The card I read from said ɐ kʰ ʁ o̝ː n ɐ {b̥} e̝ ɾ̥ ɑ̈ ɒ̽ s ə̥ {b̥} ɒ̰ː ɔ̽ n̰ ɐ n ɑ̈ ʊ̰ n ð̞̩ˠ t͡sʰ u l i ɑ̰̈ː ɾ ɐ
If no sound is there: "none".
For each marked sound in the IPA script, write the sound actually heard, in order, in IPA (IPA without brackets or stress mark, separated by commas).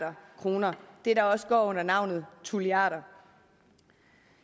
d̥, ɡ̥